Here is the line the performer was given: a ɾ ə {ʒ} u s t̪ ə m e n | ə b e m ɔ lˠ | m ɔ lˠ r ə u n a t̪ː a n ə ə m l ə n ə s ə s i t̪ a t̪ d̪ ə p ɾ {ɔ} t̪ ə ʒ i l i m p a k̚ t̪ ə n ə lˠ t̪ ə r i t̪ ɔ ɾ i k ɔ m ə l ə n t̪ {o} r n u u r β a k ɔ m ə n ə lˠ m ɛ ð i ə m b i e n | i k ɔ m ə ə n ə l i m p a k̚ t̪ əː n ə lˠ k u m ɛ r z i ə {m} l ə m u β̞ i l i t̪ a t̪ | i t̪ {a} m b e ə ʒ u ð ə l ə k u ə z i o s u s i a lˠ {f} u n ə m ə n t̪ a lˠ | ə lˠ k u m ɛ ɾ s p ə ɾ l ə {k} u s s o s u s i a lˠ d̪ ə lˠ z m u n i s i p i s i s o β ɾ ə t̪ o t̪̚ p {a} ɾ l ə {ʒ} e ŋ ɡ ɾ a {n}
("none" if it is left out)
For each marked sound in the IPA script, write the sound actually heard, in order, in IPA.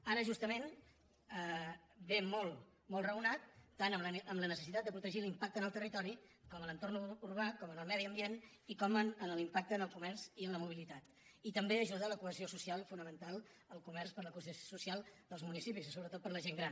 ʒ, u, o, n, ə, f, k, ə, ʒ, n

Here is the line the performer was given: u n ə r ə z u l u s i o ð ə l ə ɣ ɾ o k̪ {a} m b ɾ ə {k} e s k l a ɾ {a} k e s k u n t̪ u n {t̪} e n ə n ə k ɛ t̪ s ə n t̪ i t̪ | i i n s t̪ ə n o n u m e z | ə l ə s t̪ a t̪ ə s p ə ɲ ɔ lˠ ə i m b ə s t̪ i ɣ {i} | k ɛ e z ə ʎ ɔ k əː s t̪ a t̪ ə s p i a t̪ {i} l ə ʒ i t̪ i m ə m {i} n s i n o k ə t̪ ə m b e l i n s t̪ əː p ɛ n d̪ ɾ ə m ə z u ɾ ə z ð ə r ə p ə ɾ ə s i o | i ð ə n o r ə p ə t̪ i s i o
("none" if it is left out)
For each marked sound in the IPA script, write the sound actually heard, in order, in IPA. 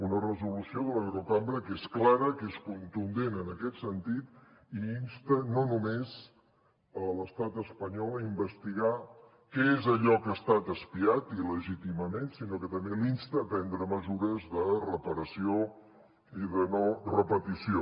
a, k, ə, d̪, a, i, e

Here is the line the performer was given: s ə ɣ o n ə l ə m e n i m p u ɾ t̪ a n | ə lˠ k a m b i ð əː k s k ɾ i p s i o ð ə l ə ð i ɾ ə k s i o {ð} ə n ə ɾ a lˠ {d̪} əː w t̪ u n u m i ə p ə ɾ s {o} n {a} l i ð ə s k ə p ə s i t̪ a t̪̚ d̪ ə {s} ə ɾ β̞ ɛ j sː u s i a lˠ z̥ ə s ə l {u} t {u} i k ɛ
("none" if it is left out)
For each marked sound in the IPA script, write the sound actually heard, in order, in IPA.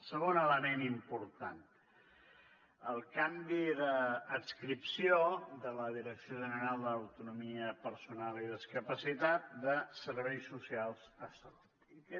ʒ, d̪, u, a, s, u, u

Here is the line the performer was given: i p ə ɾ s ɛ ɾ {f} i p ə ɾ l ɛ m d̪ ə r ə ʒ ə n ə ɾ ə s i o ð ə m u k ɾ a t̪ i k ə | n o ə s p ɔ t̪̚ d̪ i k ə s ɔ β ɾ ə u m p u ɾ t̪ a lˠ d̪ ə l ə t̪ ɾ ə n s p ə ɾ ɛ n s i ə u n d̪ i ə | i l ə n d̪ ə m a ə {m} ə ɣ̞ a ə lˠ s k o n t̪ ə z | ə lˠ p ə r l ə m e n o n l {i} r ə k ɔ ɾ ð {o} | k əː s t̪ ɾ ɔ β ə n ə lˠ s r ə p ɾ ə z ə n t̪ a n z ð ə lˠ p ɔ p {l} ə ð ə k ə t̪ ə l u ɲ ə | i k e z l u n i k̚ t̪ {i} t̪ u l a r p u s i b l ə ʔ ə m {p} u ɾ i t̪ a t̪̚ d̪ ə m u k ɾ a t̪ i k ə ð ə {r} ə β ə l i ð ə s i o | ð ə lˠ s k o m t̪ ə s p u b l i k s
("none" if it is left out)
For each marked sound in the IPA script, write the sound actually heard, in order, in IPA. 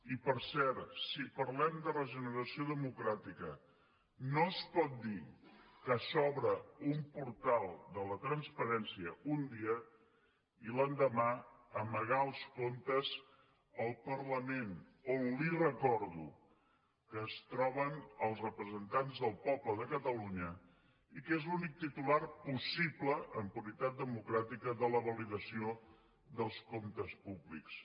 s, m, i, u, l, i, p, l

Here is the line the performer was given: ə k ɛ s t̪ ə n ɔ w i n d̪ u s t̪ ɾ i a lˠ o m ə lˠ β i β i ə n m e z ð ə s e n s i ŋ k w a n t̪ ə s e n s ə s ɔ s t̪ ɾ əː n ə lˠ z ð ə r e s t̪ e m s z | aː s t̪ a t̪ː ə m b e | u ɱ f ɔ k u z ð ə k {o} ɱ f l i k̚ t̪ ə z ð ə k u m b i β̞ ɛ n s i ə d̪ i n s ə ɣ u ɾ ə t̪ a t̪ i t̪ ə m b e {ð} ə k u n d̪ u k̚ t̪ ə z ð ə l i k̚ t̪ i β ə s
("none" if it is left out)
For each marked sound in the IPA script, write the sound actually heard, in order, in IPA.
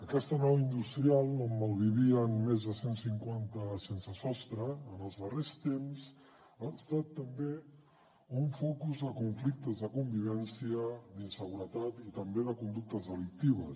u, ð

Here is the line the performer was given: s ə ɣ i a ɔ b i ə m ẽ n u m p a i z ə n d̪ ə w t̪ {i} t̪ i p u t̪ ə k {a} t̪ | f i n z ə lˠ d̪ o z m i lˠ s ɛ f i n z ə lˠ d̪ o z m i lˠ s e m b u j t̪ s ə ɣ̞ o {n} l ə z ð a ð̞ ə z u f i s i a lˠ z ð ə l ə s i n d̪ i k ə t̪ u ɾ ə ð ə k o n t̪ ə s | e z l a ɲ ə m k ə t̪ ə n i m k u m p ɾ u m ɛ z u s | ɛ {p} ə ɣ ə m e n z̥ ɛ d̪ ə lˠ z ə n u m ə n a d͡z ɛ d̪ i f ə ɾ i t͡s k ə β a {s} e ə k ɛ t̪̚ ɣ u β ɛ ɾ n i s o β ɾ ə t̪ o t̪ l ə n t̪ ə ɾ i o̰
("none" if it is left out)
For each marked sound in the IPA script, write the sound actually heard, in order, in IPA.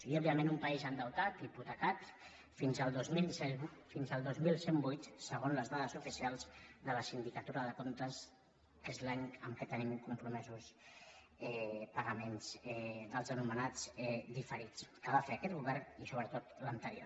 a, a, n, p, f

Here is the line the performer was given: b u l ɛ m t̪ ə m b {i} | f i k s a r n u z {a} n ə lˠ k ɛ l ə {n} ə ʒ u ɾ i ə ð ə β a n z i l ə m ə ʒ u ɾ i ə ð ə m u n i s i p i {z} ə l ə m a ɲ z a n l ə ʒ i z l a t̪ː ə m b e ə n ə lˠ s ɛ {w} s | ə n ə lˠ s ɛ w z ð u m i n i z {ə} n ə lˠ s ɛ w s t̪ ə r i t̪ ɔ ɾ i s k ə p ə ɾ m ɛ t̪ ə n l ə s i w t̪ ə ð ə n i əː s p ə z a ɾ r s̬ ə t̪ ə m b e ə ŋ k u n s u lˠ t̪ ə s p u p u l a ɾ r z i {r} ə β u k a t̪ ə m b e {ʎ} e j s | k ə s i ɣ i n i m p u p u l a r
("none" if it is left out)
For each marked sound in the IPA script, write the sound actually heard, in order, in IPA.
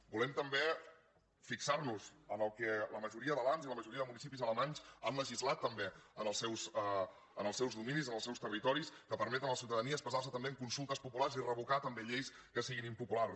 e, ə, m, z, w, ə, r, ʎ

